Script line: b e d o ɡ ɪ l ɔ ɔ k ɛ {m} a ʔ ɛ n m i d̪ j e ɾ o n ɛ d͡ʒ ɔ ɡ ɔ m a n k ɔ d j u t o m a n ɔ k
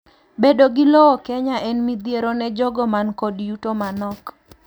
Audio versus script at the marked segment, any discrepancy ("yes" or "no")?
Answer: yes